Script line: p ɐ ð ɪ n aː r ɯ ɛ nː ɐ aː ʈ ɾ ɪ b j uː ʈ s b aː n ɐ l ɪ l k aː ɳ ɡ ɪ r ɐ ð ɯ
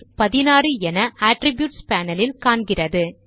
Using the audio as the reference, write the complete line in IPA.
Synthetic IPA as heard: p ɐ ð ɪ n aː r ɯ ɛ n ɐ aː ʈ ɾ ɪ b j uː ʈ s p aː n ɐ l ɪ l k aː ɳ ɡ ɪ r ɐ ð ɯ